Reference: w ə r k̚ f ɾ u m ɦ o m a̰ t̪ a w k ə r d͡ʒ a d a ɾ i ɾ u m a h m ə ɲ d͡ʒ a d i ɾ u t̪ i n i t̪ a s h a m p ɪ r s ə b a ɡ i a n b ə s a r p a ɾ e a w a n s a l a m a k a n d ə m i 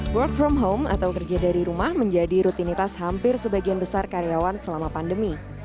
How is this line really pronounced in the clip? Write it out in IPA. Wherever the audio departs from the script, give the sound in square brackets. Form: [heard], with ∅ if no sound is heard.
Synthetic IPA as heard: w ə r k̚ f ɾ [ɔ] m ɦ o m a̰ t̪ a w k ə r d͡ʒ a d a ɾ i ɾ u m a h m ə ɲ d͡ʒ a d i ɾ u t̪ i n i t̪ a s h a m p ɪ r s ə b a ɡ i a n b ə s a r [k] a ɾ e a w a n s [ə] l a m a [p] a n d ə m i

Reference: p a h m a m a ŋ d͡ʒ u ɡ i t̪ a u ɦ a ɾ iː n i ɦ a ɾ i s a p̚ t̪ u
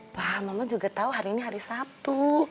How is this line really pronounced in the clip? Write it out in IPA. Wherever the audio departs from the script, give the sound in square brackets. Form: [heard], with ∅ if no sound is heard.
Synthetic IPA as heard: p a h m a m a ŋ d͡ʒ u ɡ [a] t̪ a u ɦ a ɾ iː n i ɦ a ɾ i s a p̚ t̪ u

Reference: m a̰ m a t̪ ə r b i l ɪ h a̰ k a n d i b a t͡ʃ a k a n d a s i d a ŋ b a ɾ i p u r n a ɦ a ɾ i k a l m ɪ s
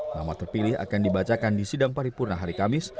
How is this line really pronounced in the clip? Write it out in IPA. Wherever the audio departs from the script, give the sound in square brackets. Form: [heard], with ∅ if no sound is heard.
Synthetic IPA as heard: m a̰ m a t̪ ə r [p] i l ɪ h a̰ k a n d i b a t͡ʃ a k a n d [i] s i d a ŋ [p] a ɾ i p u r n a ɦ a ɾ i k a [∅] m ɪ s

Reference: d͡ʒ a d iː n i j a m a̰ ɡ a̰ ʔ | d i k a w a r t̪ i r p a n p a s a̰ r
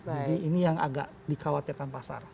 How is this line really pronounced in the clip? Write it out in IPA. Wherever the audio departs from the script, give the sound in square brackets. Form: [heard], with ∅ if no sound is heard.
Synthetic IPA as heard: d͡ʒ a d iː n i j a [ŋ] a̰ ɡ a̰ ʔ | d i k a w a [∅] t̪ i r [k] a n p a s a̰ r

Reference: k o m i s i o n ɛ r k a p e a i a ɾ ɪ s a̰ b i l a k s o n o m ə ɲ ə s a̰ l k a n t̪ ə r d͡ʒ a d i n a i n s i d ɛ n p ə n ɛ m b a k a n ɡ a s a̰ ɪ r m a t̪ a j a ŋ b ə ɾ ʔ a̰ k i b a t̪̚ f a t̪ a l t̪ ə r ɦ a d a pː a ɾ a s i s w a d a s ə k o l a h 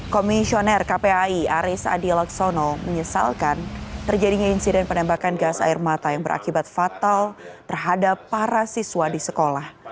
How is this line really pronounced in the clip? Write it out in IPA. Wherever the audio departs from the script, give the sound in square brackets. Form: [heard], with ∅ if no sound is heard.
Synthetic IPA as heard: k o m i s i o n ɛ r k a p e a i a ɾ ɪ s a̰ [d] i l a k s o n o m ə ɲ ə s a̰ l k a n t̪ ə r d͡ʒ a d i [ɲ] a i n s i d ɛ n p ə n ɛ m b a k a n ɡ a s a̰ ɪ r m a t̪ a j a ŋ b ə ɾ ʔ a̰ k i b a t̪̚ f a t̪ a l t̪ ə r ɦ a d a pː a ɾ a s i s w a d [i] s ə k o l a h

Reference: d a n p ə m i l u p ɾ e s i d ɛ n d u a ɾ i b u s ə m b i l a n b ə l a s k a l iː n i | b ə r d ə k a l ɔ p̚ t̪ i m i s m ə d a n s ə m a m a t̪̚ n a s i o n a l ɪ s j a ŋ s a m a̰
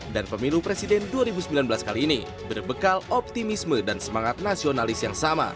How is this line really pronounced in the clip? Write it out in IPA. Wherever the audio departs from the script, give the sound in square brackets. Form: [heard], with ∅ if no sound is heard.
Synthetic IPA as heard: d a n p ə m i l u p ɾ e s i d ɛ n d u a ɾ i b u s ə m b i l a n b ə l a s k a l iː n i | b ə r [b] ə k a l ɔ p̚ t̪ i m i s m ə d a n s ə m a [ŋ] a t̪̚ n a s i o n a l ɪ s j a ŋ s a m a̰

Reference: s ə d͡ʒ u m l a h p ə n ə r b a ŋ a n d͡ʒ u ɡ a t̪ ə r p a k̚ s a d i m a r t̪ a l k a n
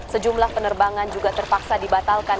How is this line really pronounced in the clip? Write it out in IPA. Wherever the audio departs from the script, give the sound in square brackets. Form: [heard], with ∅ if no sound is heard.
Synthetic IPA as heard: s ə d͡ʒ u m l a h p ə n ə r b a ŋ a n d͡ʒ u ɡ a t̪ ə r p a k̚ s a d i [b] a [∅] t̪ a l k a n

